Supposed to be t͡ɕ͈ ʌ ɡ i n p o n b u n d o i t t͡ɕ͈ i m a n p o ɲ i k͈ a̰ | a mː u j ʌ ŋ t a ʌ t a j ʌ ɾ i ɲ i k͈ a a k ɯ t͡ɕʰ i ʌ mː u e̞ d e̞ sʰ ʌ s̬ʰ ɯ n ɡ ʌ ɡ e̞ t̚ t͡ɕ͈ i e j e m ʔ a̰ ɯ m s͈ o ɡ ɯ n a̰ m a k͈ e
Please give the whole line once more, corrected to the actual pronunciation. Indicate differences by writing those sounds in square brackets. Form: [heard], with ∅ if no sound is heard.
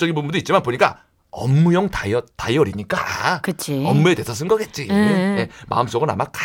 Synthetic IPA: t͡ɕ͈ ʌ ɡ i n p [u] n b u n d o i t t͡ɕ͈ i m a n p o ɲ i k͈ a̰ | [ʌ] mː u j ʌ ŋ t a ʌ t a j ʌ ɾ i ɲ i k͈ a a k ɯ t͡ɕʰ i ʌ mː u e̞ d e̞ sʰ ʌ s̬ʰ ɯ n ɡ ʌ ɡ e̞ t̚ t͡ɕ͈ i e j e m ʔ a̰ ɯ m s͈ o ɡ ɯ n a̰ m a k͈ [a]